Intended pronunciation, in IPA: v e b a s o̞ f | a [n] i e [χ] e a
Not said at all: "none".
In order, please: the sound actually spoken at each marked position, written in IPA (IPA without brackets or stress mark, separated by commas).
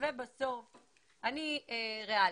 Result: n, ʁ